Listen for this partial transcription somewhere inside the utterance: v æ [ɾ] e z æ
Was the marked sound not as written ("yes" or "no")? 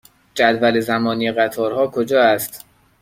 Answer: yes